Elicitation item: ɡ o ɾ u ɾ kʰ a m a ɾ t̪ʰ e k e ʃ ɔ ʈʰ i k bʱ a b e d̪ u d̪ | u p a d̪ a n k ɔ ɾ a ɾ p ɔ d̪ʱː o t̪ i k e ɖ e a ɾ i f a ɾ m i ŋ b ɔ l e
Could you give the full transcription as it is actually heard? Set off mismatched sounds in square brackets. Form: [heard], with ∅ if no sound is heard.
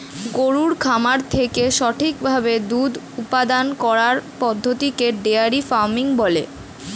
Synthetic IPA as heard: ɡ o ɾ u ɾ kʰ a m a ɾ t̪ʰ e k e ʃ ɔ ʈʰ i k bʱ a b e d̪ u d̪ | u p a d̪ a n k ɔ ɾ a ɾ p ɔ d̪ʱː o t̪ i k e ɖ e a ɾ i f a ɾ m i ŋ b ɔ l e